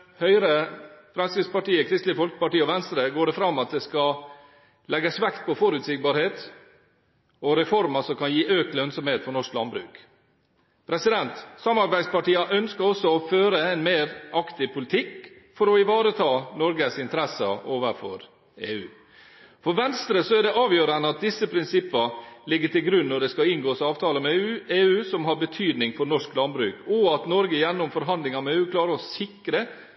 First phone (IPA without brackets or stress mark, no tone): h